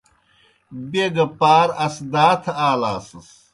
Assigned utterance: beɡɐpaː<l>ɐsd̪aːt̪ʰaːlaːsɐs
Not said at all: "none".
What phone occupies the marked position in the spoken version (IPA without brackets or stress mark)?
ɾ